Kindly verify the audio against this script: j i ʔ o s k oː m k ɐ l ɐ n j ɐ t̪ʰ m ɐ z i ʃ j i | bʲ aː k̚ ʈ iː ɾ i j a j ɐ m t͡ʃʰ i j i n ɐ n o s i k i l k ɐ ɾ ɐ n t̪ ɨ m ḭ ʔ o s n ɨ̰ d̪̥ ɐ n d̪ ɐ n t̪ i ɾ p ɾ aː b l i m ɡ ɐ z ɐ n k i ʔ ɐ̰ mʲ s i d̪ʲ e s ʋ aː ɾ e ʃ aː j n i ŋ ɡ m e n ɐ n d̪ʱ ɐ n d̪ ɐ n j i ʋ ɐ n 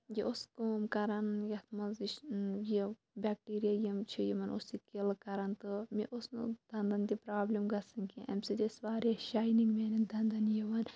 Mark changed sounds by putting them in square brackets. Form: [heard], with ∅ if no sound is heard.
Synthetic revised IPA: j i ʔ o s k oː m k ɐ [ɾ] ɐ n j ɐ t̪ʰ m ɐ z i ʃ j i | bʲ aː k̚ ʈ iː ɾ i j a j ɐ m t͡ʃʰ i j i [m] ɐ n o s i k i l k ɐ ɾ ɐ n t̪ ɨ m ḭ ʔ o s n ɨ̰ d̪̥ ɐ n d̪ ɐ n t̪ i [∅] p ɾ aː b l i m ɡ ɐ [s] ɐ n k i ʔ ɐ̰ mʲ s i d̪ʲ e s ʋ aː ɾ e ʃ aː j n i ŋ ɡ m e n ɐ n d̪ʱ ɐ n d̪ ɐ n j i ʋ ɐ n